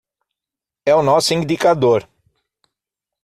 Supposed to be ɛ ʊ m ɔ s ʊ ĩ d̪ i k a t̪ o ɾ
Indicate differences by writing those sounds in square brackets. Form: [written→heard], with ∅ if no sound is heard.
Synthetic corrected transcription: ɛ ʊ [m→n] ɔ s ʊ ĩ d̪ i k a [t̪→d̪] o ɾ

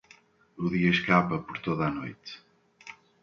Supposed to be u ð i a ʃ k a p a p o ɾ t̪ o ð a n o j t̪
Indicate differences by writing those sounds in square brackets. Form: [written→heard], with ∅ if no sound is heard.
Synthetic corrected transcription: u ð i [a→ɐ] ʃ k a p [a→ɐ] p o ɾ t̪ o ð a n o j t̪

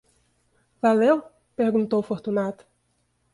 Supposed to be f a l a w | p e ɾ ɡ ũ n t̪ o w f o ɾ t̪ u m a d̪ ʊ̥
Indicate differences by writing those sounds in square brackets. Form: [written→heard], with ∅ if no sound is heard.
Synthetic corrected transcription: [f→v] a l [a→e] w | p e ɾ ɡ ũ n t̪ o w f o ɾ t̪ u [m→n] a [d̪→t̪] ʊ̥

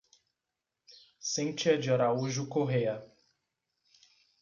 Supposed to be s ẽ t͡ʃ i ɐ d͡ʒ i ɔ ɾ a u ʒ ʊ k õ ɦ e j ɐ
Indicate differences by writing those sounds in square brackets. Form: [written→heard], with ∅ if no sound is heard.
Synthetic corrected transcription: s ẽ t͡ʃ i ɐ d͡ʒ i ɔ ɾ a u ʒ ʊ k [õ→o] ɦ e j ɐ

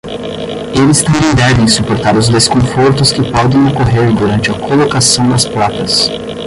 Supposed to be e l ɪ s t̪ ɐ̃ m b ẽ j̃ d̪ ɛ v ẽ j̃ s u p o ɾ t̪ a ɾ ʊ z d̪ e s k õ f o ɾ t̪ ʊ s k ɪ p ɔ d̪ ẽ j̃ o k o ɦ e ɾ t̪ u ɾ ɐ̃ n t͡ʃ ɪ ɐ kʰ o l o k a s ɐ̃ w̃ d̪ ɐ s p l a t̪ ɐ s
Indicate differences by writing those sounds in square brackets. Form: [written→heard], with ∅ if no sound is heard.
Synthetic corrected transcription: e l ɪ s t̪ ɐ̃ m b ẽ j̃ d̪ ɛ v ẽ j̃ s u p o ɾ t̪ a ɾ ʊ z d̪ e s k õ f o ɾ t̪ ʊ s k ɪ p ɔ d̪ ẽ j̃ o k o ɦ e ɾ [t̪→d̪] u ɾ ɐ̃ n t͡ʃ ɪ ɐ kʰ o l o k a s ɐ̃ w̃ d̪ ɐ s p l a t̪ ɐ s

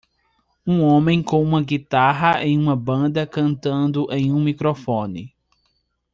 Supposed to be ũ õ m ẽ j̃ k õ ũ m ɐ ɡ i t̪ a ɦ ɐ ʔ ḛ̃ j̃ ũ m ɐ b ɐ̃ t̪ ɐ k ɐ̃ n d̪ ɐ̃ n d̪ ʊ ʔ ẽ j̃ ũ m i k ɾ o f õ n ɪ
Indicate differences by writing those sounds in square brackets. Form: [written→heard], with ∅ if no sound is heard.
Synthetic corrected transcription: ũ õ m ẽ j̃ k õ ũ m ɐ ɡ i t̪ a ɦ ɐ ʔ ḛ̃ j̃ ũ m ɐ b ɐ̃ [t̪→d̪] ɐ k ɐ̃ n [d̪→t̪] ɐ̃ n d̪ ʊ ʔ ẽ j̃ ũ m i k ɾ o f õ n ɪ

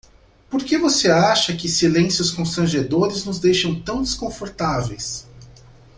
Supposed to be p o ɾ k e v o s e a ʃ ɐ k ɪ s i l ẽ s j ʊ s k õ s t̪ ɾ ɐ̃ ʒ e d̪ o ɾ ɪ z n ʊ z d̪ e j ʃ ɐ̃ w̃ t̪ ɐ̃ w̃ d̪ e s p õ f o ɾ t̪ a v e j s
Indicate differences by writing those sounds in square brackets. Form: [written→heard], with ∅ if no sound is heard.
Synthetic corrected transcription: p o ɾ k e v o s e a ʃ ɐ k ɪ s i l ẽ s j ʊ s k õ s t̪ ɾ ɐ̃ ʒ e d̪ o ɾ ɪ z n ʊ z d̪ e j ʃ ɐ̃ w̃ t̪ ɐ̃ w̃ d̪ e s [p→k] õ f o ɾ t̪ a v e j s

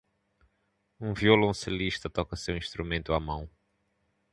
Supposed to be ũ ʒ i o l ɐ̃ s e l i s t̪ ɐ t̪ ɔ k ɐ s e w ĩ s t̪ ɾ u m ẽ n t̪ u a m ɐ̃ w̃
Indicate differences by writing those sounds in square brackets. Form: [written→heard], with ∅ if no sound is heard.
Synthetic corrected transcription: ũ [ʒ→v] i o l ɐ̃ s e l i [s→ʃ] t̪ ɐ t̪ ɔ k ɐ s e w ĩ [s→ʃ] t̪ ɾ u m ẽ n t̪ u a m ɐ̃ w̃

